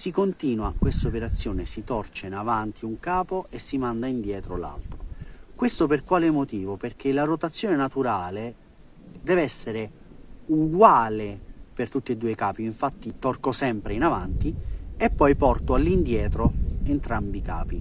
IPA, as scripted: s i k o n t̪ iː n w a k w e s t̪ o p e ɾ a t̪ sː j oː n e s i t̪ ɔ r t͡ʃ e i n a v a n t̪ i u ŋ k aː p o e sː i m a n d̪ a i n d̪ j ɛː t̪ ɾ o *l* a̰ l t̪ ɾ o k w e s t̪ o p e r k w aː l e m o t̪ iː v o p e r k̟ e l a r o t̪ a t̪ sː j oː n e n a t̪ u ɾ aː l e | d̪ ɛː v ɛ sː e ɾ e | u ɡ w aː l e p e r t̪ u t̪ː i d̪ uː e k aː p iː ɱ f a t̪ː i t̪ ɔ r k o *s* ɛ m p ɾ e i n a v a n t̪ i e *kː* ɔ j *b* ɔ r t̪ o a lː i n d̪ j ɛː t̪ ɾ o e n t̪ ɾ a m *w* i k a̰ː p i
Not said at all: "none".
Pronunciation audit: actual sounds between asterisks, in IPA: l, s, pː, p, b

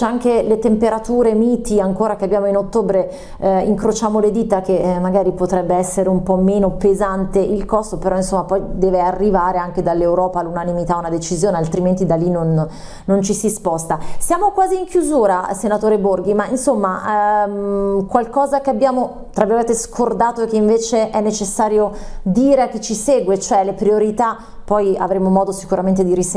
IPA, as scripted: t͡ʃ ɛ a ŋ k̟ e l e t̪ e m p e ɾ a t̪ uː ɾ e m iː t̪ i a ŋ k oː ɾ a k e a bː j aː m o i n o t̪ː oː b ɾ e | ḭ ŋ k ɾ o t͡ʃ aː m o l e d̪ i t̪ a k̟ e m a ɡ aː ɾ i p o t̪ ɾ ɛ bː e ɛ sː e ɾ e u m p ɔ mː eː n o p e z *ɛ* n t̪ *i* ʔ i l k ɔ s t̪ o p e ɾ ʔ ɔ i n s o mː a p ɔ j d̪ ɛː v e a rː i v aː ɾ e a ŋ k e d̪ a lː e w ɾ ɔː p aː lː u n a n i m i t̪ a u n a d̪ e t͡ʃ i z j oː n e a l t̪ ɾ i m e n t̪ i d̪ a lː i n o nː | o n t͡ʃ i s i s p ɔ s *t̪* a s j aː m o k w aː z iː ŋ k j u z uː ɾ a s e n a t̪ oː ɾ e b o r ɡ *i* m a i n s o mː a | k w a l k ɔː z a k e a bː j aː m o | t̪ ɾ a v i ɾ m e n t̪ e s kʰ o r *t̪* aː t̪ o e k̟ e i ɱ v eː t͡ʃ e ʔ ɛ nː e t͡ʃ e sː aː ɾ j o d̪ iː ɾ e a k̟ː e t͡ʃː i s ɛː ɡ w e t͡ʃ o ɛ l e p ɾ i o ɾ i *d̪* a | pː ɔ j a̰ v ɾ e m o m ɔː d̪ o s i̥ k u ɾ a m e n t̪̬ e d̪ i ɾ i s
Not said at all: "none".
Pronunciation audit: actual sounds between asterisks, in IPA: a, e, t̪, i, d̪, t̪

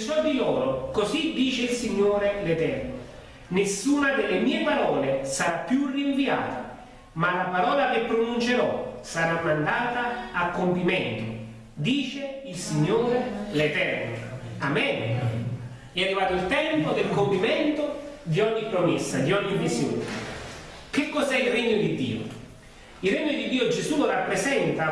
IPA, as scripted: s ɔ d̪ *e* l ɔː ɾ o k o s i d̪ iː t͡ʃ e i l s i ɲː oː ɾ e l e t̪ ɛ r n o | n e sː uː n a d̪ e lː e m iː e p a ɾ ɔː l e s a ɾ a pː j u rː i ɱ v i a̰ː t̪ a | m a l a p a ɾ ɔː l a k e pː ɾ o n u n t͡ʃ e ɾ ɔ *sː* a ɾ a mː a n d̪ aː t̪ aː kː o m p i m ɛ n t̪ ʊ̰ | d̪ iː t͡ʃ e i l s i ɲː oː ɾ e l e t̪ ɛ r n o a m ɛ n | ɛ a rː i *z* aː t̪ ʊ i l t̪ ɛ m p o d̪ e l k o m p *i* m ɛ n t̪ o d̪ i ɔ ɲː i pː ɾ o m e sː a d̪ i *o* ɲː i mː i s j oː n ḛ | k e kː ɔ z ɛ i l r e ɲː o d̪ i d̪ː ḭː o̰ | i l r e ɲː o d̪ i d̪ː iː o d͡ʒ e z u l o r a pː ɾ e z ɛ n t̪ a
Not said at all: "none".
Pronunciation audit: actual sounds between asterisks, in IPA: i, s, v, i, ɔ

